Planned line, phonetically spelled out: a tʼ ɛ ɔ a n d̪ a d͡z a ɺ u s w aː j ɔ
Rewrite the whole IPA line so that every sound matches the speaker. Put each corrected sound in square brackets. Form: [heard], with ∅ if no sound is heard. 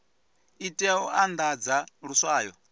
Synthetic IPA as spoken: [i] tʼ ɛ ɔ a n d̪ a d͡z a ɺ u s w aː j ɔ